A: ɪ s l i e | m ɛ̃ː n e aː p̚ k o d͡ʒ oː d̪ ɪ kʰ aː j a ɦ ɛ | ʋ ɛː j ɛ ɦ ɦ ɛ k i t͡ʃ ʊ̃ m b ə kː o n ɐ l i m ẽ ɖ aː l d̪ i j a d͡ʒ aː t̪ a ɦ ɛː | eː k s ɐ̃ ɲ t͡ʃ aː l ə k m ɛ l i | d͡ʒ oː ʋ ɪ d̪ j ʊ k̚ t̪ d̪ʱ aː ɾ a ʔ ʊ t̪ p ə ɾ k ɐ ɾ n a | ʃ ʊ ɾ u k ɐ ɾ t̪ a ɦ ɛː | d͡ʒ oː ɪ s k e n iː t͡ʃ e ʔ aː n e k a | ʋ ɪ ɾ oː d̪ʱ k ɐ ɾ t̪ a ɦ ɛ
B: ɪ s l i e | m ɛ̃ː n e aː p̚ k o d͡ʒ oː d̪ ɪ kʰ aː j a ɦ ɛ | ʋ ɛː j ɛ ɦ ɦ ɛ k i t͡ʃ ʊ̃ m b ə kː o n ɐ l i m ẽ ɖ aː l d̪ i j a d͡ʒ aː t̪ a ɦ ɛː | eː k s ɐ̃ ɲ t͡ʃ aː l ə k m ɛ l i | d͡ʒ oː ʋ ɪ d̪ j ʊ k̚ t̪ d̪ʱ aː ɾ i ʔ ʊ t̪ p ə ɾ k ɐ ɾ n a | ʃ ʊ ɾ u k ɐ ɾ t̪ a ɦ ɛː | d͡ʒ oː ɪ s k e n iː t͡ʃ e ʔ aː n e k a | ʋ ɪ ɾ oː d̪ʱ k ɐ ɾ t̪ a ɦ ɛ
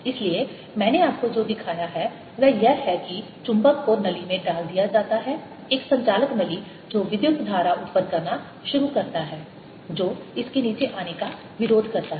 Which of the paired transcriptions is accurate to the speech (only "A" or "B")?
A